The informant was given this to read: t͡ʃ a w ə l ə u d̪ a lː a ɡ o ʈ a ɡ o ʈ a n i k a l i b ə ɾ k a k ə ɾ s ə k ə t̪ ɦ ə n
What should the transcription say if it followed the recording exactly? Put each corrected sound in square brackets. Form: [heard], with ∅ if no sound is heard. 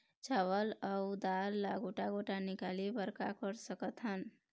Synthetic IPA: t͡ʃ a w ə l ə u d̪ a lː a ɡ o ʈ a ɡ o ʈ a n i k a l i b ə ɾ k a k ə ɾ s ə k ə t̪ ɦ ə n